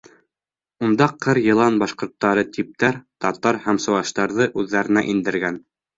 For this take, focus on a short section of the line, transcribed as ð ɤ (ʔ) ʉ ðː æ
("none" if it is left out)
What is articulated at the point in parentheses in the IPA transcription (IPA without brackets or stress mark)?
ʔ